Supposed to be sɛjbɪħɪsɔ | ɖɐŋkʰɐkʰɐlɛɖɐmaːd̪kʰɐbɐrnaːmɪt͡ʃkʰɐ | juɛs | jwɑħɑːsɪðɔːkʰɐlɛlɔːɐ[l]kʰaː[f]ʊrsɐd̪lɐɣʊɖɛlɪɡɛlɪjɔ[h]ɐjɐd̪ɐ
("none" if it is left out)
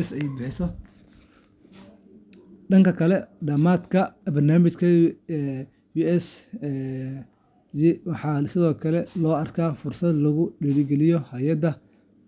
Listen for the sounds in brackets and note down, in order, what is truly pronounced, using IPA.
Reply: r, f, h

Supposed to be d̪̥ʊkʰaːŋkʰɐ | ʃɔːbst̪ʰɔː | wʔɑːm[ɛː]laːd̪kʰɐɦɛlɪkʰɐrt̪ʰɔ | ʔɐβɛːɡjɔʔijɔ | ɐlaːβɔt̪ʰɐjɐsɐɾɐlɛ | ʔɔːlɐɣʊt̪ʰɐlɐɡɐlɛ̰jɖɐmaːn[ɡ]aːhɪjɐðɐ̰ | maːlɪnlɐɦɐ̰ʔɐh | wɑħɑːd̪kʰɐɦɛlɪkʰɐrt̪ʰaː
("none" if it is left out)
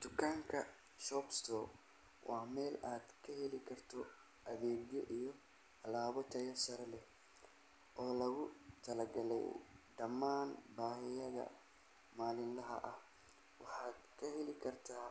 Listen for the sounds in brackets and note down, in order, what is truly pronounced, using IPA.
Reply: ɛː, b

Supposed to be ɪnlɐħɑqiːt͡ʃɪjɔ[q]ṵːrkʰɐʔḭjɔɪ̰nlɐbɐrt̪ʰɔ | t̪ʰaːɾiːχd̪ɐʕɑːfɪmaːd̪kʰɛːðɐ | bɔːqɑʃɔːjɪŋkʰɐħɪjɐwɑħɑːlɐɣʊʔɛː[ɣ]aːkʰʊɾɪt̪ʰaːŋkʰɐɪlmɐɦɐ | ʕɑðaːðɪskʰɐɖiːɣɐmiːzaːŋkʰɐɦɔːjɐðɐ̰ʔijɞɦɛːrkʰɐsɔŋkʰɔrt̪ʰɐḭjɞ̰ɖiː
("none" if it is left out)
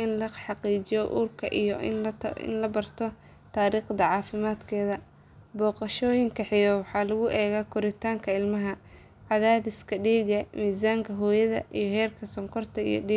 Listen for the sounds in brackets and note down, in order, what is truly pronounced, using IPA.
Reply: ʔ, ɣ

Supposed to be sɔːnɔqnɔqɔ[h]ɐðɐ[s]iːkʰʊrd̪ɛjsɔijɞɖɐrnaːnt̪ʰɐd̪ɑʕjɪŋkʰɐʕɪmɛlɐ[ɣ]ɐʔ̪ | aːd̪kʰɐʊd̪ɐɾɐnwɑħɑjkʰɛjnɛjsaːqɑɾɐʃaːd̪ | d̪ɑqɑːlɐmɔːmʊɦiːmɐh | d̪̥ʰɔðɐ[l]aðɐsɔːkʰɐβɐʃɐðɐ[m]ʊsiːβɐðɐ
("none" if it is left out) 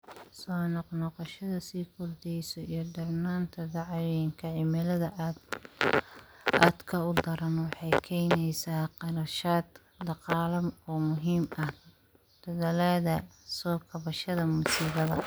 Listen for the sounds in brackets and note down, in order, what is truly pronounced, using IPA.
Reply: ʃ, s, ð, l, m

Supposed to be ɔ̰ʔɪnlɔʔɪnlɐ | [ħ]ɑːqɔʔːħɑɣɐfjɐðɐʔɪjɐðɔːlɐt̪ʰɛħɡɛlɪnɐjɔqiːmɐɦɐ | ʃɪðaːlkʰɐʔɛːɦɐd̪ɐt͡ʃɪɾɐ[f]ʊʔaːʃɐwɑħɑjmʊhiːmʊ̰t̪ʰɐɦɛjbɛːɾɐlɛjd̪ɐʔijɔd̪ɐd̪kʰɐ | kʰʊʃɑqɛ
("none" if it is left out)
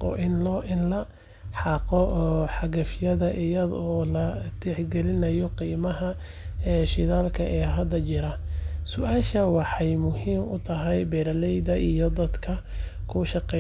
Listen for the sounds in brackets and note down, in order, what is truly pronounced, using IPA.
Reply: ħ, s

